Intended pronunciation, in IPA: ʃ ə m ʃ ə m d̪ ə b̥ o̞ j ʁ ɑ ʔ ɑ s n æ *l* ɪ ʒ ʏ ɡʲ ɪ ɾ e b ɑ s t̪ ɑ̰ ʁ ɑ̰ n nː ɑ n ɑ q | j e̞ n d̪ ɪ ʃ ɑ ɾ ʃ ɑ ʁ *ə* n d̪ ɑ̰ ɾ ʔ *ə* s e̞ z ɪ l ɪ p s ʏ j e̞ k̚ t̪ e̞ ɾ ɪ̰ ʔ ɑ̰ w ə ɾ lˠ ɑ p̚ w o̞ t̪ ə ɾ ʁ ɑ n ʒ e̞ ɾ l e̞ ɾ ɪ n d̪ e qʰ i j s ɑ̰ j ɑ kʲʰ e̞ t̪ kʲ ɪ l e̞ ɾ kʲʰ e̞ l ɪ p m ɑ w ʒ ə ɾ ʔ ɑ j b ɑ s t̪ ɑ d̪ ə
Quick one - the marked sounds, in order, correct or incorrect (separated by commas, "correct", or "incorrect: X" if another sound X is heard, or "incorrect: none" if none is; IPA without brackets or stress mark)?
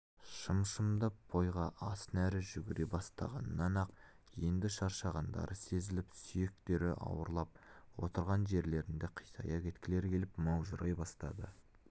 incorrect: ɾ, incorrect: ɑ, correct